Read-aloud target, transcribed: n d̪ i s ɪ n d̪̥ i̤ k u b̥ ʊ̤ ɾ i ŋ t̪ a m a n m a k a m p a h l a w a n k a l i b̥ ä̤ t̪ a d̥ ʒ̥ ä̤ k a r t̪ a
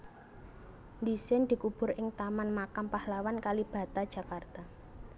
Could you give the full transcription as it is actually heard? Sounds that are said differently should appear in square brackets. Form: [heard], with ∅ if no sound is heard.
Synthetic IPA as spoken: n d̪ i s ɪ n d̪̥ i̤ k u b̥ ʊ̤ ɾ [ɪ] ŋ t̪ a m a n m a k a m p a h l a w a n k a l i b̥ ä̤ t̪ a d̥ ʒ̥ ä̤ k a r t̪ a